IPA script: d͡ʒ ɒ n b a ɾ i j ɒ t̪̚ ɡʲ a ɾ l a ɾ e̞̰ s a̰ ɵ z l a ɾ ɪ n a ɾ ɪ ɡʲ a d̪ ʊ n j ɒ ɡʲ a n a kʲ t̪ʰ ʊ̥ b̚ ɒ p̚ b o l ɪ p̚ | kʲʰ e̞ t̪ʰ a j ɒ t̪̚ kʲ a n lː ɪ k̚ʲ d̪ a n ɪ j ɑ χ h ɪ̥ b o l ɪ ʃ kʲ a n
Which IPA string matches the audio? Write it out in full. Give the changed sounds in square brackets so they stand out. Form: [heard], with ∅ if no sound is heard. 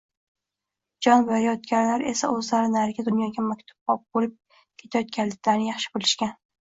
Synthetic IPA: d͡ʒ ɒ n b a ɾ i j ɒ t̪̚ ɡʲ a ɾ l a ɾ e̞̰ s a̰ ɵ z l a ɾ ɪ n a ɾ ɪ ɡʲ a d̪ ʊ n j ɒ ɡʲ a [m] a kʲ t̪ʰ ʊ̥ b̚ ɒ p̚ b o l ɪ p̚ | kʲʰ e̞ t̪ʰ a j ɒ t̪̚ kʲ a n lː ɪ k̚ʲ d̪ a n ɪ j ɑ χ [ʃ] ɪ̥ b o l ɪ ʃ kʲ a n